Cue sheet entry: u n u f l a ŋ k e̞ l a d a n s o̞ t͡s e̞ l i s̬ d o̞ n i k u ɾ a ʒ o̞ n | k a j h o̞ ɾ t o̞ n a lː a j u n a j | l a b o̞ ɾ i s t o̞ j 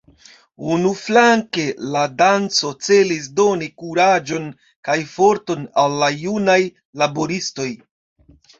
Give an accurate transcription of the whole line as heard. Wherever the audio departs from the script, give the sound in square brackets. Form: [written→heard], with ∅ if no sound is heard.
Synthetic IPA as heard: u n u f l a ŋ k e̞ l a d a n [s→t͡s] o̞ t͡s e̞ l i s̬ d o̞ n i k u ɾ a [ʒ→d͡ʒ] o̞ n | k a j [h→f] o̞ ɾ t o̞ n a lː a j u n a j | l a b o̞ ɾ i s t o̞ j